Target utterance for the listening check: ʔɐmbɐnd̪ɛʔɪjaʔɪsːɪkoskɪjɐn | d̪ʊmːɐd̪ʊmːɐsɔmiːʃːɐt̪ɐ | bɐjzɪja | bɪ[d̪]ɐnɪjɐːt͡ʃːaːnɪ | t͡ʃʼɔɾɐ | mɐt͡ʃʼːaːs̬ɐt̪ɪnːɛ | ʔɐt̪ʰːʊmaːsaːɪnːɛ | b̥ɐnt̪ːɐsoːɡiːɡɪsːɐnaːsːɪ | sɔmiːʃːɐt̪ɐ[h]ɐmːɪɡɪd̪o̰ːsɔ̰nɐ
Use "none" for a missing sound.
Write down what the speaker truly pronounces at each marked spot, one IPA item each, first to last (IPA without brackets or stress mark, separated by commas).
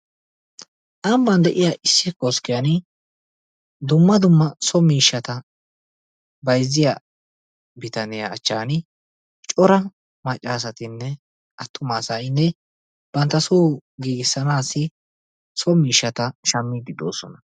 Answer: t̪, ʃ